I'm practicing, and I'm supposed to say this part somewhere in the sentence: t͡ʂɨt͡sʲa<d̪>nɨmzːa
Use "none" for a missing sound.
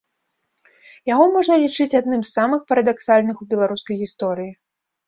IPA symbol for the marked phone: d̪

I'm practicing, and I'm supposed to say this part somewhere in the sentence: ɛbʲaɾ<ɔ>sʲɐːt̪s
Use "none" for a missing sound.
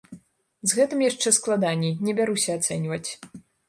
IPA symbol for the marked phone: u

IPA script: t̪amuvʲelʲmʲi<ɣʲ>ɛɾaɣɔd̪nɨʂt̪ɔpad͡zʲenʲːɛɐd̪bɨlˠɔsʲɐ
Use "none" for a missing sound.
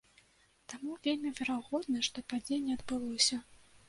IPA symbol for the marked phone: vʲ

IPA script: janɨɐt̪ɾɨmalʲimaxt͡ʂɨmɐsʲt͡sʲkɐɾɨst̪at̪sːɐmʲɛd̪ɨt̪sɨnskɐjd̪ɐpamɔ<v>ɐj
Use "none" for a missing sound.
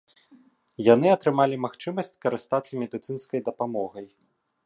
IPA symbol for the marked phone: ɣ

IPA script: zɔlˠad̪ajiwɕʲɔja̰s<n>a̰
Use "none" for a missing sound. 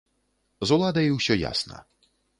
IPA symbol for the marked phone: n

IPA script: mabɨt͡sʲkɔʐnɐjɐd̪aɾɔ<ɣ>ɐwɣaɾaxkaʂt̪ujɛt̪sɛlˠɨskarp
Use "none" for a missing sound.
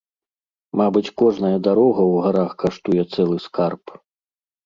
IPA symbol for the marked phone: ɣ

